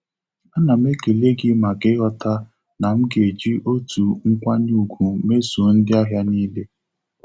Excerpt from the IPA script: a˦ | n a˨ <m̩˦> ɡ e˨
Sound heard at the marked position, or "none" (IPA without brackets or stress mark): m̩˦